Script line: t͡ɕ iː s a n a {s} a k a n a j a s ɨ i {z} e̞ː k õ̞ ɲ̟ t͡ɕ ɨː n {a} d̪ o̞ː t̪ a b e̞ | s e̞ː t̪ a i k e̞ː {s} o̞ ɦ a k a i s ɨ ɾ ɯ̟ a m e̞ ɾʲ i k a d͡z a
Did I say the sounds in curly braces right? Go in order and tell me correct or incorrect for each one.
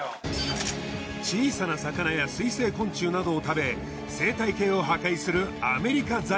correct, incorrect, correct, incorrect

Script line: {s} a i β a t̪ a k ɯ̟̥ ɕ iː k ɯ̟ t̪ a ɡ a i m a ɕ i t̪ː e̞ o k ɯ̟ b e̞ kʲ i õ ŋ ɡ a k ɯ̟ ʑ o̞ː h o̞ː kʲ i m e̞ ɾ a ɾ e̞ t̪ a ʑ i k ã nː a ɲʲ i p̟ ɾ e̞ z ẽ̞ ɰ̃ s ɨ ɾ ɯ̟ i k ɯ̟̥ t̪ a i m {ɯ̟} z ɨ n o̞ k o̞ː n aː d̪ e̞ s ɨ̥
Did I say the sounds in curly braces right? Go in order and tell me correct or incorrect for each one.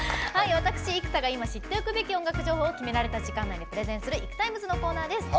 incorrect, correct

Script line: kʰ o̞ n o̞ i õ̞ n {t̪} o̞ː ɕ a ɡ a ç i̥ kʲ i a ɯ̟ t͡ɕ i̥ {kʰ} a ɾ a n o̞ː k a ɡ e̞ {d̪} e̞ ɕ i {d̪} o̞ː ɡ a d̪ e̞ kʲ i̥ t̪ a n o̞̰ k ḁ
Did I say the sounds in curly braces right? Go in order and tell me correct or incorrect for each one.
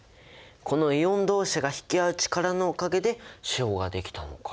incorrect, incorrect, correct, incorrect

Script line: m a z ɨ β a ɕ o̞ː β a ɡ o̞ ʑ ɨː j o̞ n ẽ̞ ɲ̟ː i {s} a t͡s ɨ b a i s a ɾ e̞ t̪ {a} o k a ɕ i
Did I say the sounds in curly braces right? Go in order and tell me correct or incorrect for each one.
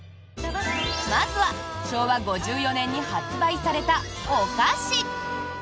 incorrect, correct

